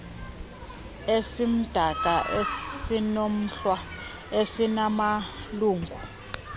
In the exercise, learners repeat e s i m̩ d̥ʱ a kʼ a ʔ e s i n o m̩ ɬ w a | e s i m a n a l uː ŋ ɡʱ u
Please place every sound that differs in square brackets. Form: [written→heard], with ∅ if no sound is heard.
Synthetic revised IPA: e s i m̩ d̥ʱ a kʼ a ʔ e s i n o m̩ ɬ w a | e s i [m→n] a [n→m] a l uː ŋ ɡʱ u